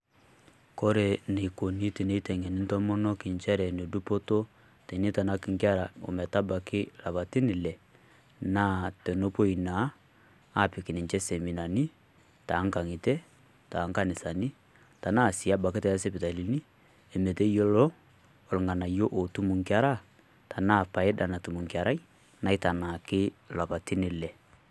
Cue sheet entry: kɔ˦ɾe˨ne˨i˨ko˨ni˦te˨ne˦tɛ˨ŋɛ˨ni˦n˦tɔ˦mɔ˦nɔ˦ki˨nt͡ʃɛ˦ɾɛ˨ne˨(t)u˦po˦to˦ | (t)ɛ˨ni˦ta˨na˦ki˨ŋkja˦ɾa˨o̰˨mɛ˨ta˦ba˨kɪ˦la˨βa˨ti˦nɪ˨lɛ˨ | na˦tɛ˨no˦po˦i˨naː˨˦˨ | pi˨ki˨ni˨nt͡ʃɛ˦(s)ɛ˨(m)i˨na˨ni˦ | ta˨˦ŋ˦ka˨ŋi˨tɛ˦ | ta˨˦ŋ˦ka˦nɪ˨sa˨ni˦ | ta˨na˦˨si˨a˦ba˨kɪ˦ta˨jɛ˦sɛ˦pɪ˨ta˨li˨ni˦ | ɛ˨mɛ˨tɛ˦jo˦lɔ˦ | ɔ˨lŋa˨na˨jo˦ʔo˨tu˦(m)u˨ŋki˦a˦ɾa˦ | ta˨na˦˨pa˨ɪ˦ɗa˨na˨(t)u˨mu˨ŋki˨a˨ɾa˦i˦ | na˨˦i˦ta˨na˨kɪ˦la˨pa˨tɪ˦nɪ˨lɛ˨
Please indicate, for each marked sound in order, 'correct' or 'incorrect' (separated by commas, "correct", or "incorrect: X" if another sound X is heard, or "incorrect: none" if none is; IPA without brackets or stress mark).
incorrect: d, correct, correct, correct, correct, correct